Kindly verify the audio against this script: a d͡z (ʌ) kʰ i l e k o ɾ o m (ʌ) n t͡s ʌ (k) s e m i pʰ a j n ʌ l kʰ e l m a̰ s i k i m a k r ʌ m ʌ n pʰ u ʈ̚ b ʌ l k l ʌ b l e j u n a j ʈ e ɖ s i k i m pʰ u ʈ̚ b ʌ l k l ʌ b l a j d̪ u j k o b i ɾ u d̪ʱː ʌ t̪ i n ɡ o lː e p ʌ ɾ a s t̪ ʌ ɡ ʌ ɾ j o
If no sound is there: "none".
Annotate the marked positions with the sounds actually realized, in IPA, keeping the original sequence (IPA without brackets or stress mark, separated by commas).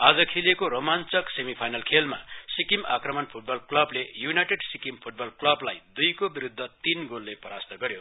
ʌ, a, k